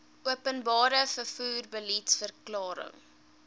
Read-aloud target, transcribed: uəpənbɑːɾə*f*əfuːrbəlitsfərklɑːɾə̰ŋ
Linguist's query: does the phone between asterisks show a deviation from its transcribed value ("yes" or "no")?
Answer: no